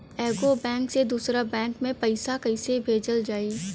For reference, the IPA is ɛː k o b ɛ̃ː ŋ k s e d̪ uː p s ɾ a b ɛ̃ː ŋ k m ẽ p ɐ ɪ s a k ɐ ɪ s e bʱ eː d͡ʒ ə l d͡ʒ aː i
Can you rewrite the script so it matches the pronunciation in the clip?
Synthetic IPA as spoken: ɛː ɡ o b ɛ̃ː ŋ k s e d̪ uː s ɾ a b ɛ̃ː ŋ k m ẽ p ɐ ɪ s a k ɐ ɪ s e bʱ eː d͡ʒ ə l d͡ʒ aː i